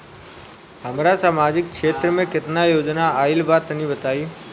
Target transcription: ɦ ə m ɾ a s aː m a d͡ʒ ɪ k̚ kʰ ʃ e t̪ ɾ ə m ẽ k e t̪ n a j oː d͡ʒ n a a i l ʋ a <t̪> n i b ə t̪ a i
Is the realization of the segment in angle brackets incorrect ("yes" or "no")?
no